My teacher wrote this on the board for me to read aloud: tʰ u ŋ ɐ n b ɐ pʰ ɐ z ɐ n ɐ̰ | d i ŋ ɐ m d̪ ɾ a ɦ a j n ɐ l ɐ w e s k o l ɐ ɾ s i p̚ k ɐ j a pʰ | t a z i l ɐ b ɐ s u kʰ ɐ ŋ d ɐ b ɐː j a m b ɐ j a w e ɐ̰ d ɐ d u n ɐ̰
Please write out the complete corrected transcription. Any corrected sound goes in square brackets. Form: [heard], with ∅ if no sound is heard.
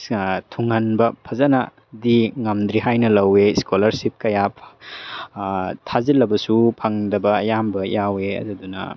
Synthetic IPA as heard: tʰ u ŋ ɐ n b ɐ pʰ ɐ z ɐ n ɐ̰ | d i ŋ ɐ m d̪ ɾ [i] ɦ a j n ɐ l ɐ w e s k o l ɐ ɾ s i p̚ k ɐ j a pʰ | [tʰ] a z i l ɐ b ɐ s u [pʰ] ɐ ŋ d ɐ b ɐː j a m b ɐ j a w e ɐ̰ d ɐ d u n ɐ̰